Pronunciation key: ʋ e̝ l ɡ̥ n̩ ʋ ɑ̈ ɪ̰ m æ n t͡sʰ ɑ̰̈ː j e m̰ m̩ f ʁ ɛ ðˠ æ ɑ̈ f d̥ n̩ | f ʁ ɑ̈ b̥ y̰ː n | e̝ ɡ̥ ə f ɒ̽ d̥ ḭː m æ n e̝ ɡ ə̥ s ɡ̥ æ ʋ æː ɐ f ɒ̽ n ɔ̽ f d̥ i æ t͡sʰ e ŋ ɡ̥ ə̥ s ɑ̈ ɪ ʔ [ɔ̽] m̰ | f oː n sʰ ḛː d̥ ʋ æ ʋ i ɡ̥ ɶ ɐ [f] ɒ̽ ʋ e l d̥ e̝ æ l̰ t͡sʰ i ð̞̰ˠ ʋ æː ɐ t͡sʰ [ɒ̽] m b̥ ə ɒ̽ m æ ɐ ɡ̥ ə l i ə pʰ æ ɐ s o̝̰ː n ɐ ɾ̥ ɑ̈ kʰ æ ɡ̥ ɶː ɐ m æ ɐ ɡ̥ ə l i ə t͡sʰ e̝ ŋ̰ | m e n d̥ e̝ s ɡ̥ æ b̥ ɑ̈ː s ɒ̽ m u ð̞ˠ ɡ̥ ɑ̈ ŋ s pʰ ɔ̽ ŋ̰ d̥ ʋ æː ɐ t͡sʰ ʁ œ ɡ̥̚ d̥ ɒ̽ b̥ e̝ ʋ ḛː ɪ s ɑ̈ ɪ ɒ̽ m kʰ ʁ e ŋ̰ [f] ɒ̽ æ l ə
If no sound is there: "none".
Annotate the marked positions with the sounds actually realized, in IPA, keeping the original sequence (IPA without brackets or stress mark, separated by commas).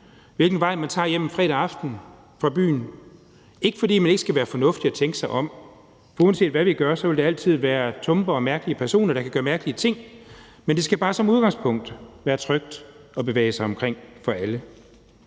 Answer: ɒ̽, s, ɔ̽, f